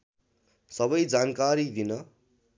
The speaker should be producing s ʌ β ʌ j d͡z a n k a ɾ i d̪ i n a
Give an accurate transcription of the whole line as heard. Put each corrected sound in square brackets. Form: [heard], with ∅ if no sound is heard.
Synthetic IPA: s ʌ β ʌ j d͡z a n k a ɾ i d̪ i n [ʌ]